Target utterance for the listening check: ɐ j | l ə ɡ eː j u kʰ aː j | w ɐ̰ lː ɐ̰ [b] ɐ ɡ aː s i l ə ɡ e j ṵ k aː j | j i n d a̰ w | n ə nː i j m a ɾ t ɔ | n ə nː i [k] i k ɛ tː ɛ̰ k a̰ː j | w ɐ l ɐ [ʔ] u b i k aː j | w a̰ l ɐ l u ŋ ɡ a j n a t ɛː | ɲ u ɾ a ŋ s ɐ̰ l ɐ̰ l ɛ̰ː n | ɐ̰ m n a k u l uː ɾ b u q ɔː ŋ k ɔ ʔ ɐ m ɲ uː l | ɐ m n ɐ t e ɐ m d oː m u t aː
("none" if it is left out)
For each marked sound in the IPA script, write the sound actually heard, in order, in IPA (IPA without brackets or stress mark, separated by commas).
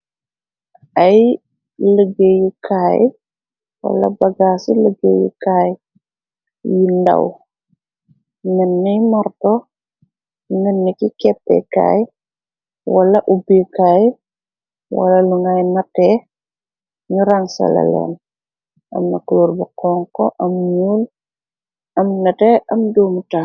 b, k, ʔ